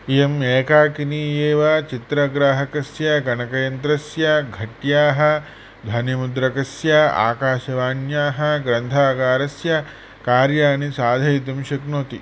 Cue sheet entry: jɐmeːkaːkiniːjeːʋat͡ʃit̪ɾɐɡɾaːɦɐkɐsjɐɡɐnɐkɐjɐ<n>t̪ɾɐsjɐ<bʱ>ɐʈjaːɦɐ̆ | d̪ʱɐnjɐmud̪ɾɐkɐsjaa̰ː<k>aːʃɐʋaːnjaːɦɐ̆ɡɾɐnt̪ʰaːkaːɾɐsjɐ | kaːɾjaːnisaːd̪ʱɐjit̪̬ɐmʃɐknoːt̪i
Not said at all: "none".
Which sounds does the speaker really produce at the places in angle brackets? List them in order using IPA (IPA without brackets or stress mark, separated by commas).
n, ɡʱ, k